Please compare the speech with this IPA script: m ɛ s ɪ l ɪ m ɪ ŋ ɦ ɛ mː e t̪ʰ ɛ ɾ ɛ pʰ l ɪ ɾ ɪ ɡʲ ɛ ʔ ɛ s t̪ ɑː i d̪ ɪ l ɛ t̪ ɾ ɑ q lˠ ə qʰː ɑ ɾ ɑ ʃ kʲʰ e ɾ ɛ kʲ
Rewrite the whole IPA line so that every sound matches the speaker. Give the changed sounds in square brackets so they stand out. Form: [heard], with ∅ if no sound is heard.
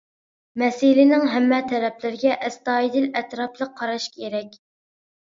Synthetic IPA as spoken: m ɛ s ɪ l ɪ [n] ɪ ŋ ɦ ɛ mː [ɛ] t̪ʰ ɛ ɾ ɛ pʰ l ɪ ɾ ɪ ɡʲ ɛ ʔ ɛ s t̪ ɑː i d̪ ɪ l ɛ t̪ ɾ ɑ [p] lˠ ə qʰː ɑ ɾ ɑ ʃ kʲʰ e ɾ ɛ kʲ